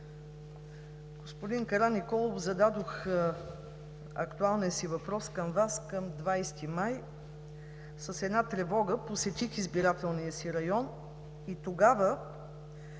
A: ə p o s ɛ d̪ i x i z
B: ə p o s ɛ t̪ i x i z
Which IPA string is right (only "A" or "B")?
B